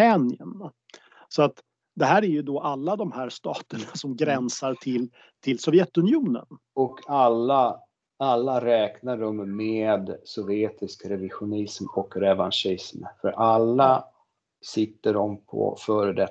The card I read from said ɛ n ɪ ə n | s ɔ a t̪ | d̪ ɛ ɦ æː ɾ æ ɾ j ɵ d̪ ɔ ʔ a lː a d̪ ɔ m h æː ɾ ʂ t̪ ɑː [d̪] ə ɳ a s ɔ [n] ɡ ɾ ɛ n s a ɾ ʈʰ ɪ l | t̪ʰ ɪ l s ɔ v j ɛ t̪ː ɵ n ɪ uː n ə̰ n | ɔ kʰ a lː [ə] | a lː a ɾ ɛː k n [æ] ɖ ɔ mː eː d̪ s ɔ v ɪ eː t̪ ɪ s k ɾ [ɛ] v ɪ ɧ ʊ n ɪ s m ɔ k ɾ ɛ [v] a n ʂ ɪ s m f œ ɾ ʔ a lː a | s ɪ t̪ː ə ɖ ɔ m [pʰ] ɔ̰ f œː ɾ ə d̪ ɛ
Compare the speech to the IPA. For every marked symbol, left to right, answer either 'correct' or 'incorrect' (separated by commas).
incorrect, incorrect, incorrect, incorrect, correct, correct, correct